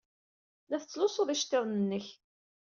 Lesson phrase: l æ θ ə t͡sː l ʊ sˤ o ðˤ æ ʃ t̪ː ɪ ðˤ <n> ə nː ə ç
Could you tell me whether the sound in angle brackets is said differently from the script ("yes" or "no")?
no